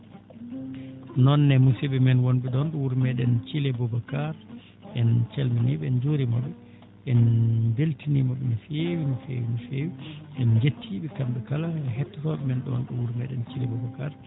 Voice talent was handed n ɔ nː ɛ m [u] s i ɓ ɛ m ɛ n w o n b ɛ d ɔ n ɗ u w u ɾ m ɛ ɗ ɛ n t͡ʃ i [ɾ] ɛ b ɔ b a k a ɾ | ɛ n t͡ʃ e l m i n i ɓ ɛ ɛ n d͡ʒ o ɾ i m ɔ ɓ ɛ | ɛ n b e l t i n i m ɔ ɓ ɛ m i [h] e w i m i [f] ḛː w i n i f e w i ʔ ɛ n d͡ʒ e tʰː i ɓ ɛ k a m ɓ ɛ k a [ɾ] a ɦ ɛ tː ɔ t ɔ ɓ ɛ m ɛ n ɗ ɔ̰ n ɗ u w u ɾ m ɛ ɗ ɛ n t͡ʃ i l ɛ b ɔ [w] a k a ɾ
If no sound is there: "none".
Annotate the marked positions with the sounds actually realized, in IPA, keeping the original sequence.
u, l, f, f, l, b

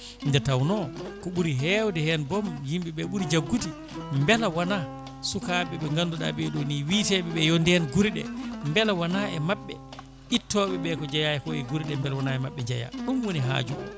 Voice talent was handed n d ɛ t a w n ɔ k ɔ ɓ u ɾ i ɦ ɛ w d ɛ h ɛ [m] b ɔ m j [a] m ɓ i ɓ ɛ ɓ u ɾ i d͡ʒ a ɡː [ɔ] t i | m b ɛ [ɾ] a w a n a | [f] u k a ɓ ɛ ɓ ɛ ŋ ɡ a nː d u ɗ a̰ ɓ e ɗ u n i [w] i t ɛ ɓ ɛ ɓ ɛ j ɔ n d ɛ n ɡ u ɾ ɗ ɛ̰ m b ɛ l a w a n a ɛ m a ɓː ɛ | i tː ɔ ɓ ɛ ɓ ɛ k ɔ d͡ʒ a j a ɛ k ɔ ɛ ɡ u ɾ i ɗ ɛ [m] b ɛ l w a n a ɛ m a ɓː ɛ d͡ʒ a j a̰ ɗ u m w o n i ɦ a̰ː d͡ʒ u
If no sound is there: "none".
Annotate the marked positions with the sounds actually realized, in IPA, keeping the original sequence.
n, i, u, l, s, w, m

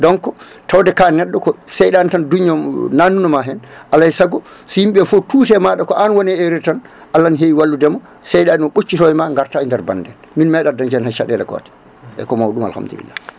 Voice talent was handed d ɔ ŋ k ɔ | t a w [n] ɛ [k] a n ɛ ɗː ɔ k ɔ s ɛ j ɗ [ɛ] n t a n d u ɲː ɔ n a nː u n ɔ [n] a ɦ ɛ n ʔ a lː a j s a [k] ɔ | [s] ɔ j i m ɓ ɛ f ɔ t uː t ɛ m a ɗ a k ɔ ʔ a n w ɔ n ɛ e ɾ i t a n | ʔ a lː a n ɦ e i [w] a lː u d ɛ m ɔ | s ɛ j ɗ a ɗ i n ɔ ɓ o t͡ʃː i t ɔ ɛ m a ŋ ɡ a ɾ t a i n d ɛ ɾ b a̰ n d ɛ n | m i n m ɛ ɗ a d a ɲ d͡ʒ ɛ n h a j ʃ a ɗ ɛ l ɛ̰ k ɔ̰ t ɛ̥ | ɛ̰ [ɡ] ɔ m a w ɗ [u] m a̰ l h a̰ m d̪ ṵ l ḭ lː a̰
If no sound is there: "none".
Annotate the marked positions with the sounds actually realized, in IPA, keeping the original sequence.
d, k, a, m, ɡ, s, w, k, u

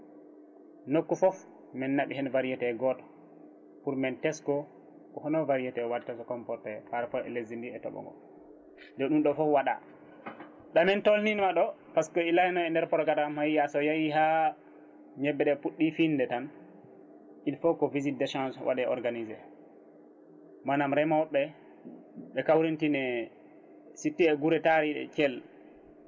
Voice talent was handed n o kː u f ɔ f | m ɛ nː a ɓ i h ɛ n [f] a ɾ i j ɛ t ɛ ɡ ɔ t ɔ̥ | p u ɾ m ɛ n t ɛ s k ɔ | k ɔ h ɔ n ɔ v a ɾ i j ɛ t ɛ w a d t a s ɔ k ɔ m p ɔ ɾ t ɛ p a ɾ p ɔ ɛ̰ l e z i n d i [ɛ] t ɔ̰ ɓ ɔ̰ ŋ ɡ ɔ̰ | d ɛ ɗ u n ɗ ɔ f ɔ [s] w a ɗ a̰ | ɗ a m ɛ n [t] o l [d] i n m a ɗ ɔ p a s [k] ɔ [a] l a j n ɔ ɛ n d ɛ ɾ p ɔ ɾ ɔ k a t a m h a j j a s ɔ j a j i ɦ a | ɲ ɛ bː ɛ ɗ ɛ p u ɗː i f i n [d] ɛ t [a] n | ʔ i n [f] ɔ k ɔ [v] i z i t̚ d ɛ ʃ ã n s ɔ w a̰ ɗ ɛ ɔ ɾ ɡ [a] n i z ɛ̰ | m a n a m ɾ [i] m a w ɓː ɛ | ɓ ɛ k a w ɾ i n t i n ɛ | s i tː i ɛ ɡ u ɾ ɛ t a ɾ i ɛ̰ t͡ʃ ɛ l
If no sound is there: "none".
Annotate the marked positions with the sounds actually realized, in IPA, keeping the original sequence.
v, ɛ, f, t, n, k, i, d, a, f, v, a, ɛ

